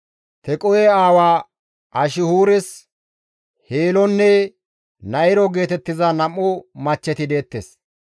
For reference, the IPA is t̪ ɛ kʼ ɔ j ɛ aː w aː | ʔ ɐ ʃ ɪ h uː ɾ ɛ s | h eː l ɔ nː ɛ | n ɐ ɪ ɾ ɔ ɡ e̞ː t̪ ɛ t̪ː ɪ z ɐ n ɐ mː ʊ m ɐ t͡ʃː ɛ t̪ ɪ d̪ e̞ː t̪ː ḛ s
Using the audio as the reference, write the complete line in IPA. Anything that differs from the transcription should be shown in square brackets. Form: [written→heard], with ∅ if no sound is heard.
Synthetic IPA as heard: t̪ ɛ kʼ ɔ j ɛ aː w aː | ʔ ɐ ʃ ɪ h uː ɾ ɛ s | h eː l ɔ nː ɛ | n ɐ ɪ ɾ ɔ ɡ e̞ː t̪ ɛ t̪ː ɪ z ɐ n ɐ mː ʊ m ɐ t͡ʃː ɛ t̪ ɪ d̪ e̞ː t̪ː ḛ s